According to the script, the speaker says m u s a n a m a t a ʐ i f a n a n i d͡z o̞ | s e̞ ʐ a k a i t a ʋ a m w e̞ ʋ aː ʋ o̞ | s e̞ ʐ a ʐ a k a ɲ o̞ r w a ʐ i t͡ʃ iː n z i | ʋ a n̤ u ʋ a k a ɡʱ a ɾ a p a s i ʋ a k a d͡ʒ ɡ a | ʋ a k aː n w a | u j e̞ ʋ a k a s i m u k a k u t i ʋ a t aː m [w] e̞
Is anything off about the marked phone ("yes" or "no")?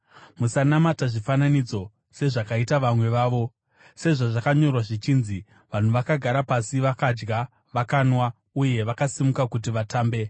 yes